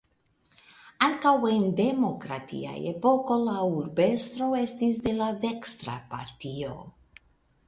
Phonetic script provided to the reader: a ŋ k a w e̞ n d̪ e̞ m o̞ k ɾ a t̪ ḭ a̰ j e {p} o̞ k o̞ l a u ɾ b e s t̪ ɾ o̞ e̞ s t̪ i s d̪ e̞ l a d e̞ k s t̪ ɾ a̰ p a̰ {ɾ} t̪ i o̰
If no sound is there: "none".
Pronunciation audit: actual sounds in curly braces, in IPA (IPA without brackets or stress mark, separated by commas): p, ɾ